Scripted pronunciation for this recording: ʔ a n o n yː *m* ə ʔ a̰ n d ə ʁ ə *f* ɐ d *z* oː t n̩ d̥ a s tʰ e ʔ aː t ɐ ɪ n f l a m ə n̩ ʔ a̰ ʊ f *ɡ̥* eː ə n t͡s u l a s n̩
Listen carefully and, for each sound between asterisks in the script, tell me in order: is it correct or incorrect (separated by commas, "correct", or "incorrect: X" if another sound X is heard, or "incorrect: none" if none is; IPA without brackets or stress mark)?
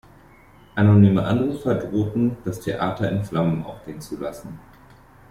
correct, correct, incorrect: ʁ, correct